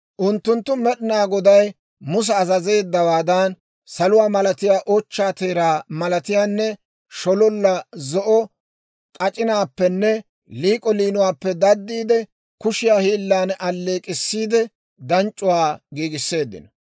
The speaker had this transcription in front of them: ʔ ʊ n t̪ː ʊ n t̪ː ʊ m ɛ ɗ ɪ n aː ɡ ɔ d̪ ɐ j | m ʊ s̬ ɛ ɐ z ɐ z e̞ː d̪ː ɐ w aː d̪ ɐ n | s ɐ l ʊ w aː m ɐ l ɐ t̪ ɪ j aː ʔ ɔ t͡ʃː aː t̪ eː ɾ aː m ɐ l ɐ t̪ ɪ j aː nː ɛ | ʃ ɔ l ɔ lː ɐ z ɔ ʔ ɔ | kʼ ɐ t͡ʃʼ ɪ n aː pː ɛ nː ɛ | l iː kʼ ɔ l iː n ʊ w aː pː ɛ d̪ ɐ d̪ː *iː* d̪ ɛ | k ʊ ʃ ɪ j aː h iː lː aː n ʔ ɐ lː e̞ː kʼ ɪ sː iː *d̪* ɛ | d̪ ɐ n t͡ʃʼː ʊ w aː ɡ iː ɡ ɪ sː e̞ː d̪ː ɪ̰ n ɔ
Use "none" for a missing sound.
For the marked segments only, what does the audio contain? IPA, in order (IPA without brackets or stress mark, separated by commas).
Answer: iː, d̪